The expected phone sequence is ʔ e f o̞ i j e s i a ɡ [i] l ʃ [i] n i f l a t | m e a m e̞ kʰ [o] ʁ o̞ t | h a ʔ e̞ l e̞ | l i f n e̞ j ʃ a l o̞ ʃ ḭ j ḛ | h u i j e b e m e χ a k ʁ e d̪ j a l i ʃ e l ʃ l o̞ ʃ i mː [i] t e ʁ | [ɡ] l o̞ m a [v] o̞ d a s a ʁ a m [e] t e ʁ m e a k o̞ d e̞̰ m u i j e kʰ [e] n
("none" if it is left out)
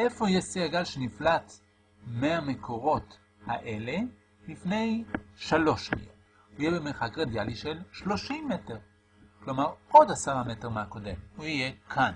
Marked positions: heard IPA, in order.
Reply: a, e, o, e, k, ʁ, e, a

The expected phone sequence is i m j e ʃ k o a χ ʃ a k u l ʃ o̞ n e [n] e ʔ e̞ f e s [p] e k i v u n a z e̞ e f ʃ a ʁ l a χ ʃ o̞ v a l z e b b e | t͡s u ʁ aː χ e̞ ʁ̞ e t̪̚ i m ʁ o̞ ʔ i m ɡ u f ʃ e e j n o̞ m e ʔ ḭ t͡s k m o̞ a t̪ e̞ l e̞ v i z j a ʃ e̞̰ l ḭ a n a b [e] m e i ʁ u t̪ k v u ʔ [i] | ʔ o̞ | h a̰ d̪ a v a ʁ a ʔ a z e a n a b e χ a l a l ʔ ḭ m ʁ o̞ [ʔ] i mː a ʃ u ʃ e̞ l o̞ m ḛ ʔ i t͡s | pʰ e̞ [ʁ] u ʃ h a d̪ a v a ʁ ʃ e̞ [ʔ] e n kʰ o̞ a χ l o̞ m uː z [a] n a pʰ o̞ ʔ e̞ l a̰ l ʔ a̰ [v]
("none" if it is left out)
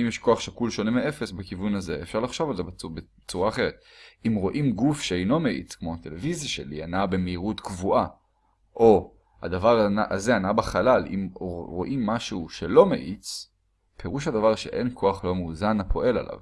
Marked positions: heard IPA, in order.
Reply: m, b, e, a, ʔ, ʁ, ʔ, a, v

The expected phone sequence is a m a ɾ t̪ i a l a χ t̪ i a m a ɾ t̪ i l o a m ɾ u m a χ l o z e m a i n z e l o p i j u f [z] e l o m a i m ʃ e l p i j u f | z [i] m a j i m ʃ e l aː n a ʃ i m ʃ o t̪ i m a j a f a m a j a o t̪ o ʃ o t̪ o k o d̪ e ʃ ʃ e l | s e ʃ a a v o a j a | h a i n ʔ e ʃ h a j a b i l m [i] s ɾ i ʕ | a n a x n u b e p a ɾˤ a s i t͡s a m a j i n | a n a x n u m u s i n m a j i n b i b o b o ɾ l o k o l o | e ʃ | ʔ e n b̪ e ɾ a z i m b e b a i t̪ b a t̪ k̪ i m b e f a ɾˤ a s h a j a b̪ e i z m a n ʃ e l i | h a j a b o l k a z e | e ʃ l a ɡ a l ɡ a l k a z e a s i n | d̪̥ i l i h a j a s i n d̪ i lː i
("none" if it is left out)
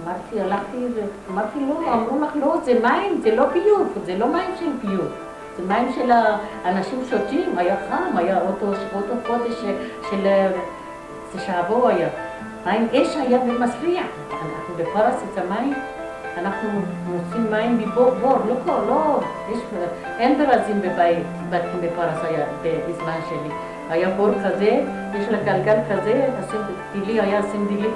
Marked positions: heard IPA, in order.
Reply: z, e, a

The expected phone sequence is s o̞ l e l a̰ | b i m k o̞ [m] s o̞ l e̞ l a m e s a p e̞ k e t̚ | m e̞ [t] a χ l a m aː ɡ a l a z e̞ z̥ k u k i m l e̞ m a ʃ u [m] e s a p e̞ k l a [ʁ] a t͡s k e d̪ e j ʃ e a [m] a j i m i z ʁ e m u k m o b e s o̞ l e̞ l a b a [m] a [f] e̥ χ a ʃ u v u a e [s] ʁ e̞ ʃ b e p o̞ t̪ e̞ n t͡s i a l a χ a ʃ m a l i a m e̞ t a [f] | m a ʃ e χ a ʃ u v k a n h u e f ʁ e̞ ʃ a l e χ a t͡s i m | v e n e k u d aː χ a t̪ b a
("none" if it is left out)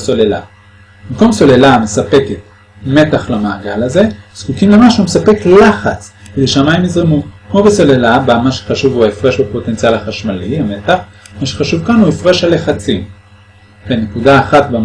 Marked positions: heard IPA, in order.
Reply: m, t, m, χ, m, m, ʃ, f, χ

